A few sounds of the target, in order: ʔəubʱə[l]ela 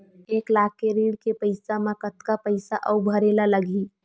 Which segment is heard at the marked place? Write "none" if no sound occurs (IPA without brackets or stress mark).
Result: ɾ